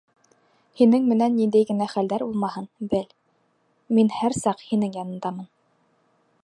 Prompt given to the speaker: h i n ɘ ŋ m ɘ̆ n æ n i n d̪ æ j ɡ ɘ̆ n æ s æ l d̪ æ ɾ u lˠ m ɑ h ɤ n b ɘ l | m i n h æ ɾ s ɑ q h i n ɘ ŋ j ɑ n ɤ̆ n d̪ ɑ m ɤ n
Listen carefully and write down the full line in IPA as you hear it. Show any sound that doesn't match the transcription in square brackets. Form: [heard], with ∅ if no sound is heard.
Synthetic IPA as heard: h i n ɘ ŋ m ɘ̆ n æ [nː] i n d̪ æ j ɡ ɘ̆ n æ [χ] æ l d̪ æ ɾ u lˠ m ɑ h ɤ n b ɘ l | m i n h æ ɾ s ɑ q h i n ɘ ŋ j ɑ n ɤ̆ n d̪ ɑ m ɤ n